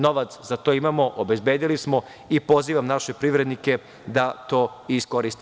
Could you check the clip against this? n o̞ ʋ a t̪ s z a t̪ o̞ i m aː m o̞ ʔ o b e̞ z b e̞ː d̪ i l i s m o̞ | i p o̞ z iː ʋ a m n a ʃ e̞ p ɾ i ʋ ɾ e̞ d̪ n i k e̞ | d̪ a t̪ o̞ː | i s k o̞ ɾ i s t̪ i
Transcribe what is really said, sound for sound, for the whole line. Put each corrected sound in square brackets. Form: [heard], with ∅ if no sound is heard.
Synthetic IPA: n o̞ ʋ a t̪ s z a t̪ o̞ i m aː m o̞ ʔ o b e̞ z b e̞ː d̪ i l i s m o̞ | i p o̞ z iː ʋ a m n a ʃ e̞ p ɾ i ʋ ɾ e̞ d̪ n i k e̞ | d̪ a t̪ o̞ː | i s k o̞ ɾ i s t̪ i